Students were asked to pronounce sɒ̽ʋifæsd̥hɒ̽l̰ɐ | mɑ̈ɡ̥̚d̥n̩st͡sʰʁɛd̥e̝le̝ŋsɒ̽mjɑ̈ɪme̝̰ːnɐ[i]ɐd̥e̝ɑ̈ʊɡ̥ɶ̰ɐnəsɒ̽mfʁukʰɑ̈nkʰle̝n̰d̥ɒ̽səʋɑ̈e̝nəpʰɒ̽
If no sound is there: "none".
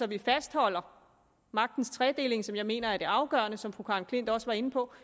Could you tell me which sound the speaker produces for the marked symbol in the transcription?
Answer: æ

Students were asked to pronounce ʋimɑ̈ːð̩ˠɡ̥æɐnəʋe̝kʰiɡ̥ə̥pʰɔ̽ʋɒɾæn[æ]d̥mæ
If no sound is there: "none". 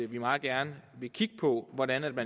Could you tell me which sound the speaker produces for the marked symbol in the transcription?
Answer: æ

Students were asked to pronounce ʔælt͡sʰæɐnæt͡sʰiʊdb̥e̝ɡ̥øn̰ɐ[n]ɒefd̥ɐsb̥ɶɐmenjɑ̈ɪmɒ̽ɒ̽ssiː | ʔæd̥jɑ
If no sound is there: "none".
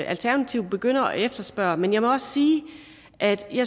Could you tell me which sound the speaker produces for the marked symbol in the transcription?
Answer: none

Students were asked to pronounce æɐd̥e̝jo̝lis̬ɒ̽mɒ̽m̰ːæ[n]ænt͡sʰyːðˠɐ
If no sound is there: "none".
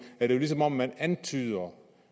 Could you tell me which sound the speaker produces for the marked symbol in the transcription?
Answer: n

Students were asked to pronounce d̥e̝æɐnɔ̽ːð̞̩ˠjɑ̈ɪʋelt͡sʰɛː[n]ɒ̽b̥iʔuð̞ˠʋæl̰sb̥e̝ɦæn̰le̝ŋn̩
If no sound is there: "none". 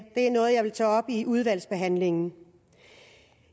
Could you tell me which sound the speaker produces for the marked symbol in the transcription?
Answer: none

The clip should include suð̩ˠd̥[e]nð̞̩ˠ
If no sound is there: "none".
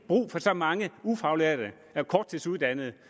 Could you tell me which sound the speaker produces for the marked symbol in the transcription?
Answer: æ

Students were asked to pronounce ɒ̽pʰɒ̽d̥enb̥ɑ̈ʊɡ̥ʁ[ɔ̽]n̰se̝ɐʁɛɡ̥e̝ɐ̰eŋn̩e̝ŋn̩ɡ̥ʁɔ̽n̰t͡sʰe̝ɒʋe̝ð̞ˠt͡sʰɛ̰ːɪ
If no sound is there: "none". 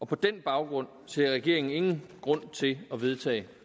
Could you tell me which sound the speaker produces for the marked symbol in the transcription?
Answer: ɔ̽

